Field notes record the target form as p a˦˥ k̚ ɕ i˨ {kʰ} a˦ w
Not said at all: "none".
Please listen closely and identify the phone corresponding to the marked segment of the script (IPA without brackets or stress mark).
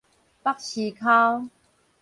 kʰ